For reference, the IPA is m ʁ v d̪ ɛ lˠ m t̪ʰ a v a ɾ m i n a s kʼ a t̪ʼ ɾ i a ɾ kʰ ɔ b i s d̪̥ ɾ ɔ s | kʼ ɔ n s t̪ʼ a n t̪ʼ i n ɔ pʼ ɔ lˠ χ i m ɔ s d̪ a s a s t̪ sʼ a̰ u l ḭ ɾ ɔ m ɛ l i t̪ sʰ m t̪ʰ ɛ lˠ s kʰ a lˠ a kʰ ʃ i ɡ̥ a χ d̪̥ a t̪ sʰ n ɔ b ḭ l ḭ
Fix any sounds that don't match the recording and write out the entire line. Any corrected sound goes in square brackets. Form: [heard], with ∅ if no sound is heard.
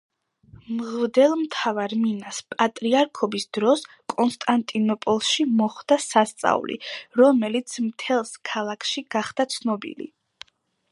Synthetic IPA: m ʁ v d̪ ɛ lˠ m t̪ʰ a v a ɾ m i n a s [pʼ] a t̪ʼ ɾ i a ɾ kʰ ɔ b i s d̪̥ ɾ ɔ s | kʼ ɔ n s t̪ʼ a n t̪ʼ i n ɔ pʼ ɔ lˠ [ʃ] i m ɔ [χ] d̪ a s a s t̪ sʼ a̰ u l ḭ ɾ ɔ m ɛ l i t̪ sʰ m t̪ʰ ɛ lˠ s kʰ a lˠ a kʰ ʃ i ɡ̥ a χ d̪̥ a t̪ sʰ n ɔ b ḭ l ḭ